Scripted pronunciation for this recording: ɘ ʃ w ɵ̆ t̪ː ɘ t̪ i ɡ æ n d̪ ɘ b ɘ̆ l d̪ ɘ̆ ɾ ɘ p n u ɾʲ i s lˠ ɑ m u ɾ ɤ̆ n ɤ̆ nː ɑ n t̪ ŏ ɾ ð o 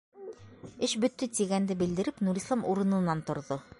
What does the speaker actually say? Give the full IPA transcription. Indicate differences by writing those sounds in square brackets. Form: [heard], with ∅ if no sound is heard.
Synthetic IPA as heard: ɘ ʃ [b] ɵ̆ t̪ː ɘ t̪ i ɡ æ n d̪ ɘ b ɘ̆ l d̪ ɘ̆ ɾ ɘ p n u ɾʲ i s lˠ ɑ m u ɾ ɤ̆ n ɤ̆ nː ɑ n t̪ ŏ ɾ ð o